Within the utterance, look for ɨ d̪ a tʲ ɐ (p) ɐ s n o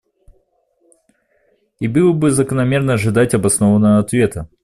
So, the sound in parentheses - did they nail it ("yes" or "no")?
no